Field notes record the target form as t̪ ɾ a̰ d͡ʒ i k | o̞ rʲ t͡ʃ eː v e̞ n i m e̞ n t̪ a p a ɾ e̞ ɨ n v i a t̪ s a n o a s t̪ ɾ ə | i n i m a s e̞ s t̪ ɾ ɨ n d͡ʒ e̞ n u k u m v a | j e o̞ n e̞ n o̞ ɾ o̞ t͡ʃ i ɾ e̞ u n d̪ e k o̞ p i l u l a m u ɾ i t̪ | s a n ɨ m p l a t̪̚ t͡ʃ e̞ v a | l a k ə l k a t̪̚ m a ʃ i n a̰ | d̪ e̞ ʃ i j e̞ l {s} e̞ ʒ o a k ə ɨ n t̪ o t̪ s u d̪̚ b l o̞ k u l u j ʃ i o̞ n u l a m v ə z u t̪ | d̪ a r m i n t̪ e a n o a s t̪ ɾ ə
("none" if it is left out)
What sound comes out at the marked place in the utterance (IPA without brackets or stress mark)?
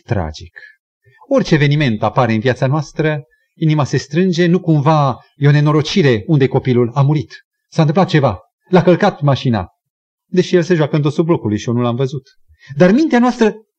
s